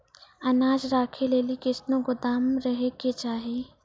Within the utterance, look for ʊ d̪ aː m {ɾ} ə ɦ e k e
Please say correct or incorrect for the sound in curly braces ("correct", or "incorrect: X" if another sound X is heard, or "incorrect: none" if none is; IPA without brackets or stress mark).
correct